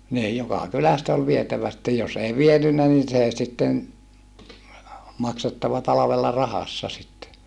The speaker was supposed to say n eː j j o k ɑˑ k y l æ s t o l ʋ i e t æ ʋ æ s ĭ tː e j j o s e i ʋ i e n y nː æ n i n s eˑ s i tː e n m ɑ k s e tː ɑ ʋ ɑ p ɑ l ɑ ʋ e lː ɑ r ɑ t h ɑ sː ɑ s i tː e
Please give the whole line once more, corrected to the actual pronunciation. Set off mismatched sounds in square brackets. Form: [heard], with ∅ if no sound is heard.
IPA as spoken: n [iː] j j o k ɑˑ k y l æ s t o l ʋ i e t æ ʋ æ s ĭ tː e j j o s e i ʋ i e n y nː æ n i n s eˑ s i tː e n m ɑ k s e tː ɑ ʋ ɑ [t] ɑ l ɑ ʋ e lː ɑ r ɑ [∅] h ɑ sː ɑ s i tː e